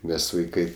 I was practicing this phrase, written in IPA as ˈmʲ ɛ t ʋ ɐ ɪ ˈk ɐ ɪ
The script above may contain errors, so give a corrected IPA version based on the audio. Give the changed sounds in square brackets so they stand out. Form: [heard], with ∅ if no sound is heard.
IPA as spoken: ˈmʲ ɛ [s] ʋ ɐ ɪ ˈk ɐ ɪ